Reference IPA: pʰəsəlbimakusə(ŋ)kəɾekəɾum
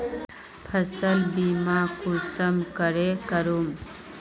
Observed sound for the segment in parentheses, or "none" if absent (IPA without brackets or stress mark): m